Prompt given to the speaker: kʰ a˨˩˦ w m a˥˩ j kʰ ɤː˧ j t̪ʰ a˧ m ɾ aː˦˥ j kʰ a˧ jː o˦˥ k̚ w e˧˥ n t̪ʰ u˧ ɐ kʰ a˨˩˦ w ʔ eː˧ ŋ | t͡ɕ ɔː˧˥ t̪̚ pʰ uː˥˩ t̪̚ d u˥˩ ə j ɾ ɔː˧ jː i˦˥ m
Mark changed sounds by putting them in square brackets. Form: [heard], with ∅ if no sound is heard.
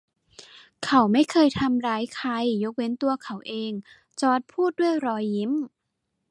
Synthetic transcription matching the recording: kʰ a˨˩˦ w m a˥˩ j kʰ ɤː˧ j t̪ʰ a˧ m ɾ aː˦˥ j kʰ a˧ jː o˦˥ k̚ w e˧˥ n [t̪] u˧ ɐ kʰ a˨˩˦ w ʔ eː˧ ŋ | t͡ɕ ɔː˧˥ t̪̚ pʰ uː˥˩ t̪̚ d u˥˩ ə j ɾ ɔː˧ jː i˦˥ m